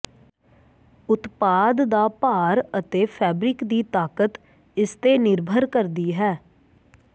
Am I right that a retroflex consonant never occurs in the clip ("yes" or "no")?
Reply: yes